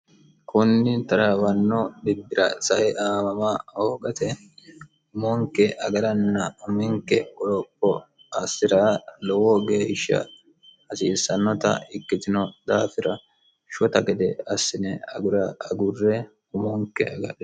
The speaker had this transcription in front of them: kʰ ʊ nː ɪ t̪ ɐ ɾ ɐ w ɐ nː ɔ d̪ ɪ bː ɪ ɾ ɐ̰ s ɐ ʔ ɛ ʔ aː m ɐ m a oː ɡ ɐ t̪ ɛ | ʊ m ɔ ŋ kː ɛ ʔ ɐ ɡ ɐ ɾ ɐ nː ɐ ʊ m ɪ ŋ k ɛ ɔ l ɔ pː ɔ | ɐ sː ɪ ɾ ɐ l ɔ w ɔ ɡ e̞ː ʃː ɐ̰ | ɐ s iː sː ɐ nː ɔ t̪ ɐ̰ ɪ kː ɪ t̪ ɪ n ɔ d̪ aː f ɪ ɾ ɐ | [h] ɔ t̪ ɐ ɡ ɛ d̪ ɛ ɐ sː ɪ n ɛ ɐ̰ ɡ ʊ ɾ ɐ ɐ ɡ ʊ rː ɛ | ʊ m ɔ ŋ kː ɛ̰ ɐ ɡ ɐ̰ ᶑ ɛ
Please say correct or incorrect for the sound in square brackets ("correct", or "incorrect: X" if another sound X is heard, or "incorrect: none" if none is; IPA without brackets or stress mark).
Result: incorrect: ʃ